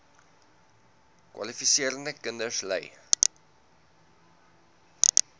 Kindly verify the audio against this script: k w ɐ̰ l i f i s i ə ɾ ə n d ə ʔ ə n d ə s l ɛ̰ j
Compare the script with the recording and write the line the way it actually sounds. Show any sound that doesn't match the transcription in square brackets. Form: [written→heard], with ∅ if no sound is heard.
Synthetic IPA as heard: k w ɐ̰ l i f i s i ə ɾ ə n d ə [ʔ→k] ə n d ə s l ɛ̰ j